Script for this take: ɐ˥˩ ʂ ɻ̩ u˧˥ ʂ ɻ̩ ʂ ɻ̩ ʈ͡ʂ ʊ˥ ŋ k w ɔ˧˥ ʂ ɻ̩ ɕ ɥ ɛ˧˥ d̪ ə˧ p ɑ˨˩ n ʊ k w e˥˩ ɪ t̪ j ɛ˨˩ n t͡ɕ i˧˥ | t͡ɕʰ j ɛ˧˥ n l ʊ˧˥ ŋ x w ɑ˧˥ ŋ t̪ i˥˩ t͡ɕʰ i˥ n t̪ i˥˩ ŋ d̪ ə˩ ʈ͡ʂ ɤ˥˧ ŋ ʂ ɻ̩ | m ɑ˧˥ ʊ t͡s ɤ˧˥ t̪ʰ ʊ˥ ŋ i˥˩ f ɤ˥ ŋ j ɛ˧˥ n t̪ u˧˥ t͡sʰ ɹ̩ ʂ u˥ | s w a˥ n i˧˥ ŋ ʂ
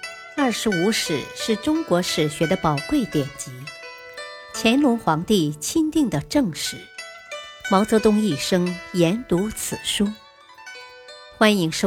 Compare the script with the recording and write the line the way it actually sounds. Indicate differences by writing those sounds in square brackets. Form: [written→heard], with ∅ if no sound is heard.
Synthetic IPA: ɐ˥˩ ʂ ɻ̩ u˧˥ ʂ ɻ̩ ʂ ɻ̩ ʈ͡ʂ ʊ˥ ŋ k w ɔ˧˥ ʂ ɻ̩ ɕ ɥ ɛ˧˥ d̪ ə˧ p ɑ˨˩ [n→∅] ʊ k w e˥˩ ɪ t̪ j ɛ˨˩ n t͡ɕ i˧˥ | t͡ɕʰ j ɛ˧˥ n l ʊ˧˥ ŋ x w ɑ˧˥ ŋ t̪ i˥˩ t͡ɕʰ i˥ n t̪ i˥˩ ŋ d̪ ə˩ ʈ͡ʂ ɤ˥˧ ŋ ʂ ɻ̩ | m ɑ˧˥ ʊ t͡s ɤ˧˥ [t̪ʰ→t̪] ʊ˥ ŋ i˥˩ [f→ʂ] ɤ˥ ŋ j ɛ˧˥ n t̪ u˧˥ t͡sʰ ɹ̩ ʂ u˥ | [s→x] w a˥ n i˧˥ ŋ ʂ